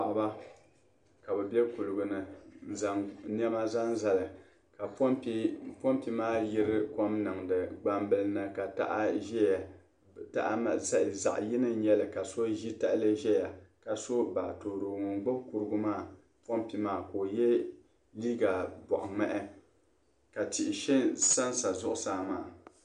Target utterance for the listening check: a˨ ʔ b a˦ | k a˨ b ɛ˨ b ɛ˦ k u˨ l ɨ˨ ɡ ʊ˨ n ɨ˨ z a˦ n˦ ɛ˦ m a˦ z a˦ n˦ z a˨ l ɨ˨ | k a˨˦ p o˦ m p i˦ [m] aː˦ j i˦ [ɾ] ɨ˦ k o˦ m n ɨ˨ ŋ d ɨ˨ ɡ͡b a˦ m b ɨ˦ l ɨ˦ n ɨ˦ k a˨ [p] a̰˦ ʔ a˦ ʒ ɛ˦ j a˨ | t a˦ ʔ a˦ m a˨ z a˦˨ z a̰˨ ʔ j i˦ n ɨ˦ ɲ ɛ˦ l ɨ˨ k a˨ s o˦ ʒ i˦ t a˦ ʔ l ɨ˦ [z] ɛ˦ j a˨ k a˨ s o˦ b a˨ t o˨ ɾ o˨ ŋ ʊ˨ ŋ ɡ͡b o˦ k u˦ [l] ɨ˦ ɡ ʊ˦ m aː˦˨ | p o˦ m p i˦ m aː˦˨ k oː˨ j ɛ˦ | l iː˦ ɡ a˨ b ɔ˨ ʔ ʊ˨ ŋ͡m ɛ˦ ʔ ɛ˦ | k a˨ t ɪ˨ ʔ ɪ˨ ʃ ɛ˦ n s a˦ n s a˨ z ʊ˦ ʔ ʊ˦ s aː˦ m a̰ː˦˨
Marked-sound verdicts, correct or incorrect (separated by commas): correct, correct, incorrect, incorrect, incorrect